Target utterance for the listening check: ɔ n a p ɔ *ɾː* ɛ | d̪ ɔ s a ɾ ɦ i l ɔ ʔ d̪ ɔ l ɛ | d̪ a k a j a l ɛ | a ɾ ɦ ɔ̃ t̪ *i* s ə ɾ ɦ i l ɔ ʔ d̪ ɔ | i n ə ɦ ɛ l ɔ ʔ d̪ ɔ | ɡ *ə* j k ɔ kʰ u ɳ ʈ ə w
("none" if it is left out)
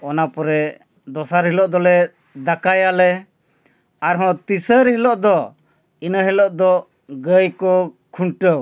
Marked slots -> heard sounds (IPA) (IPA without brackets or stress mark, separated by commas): ɾ, i, ə